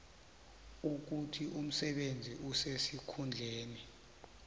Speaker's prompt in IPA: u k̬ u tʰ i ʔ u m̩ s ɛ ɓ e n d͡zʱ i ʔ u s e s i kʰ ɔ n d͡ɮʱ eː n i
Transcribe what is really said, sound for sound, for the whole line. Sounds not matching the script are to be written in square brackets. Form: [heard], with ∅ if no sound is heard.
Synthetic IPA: u k̬ u tʰ i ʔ u m̩ s ɛ ɓ e n d͡zʱ i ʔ u s e s i kʰ [u] n d͡ɮʱ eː n i